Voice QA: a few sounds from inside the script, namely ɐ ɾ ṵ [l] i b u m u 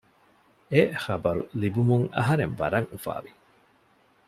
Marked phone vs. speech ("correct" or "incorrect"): correct